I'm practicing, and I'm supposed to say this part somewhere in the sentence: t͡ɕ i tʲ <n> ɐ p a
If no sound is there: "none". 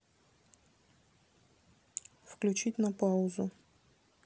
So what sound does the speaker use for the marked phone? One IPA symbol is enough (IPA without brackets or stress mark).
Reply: n